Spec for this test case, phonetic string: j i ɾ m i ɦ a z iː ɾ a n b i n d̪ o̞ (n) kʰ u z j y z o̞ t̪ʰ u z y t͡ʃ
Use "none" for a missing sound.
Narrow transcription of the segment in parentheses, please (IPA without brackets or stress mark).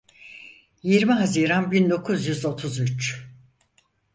none